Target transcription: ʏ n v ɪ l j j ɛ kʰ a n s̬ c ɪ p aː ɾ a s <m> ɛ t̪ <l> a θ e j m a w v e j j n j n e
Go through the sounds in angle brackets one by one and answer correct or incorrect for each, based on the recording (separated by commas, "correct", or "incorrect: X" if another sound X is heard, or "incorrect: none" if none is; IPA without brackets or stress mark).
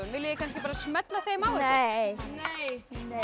correct, correct